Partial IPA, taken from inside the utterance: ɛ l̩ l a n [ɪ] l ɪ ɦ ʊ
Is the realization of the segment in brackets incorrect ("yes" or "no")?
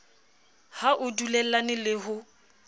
no